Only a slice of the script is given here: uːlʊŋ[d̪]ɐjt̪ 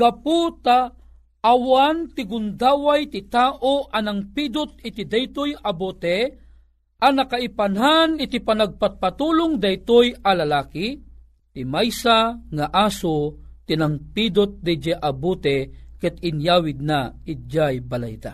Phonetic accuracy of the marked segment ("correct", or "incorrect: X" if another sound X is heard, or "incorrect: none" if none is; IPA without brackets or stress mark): correct